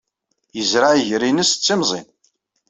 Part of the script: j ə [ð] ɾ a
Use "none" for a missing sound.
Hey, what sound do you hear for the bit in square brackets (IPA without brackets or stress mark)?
z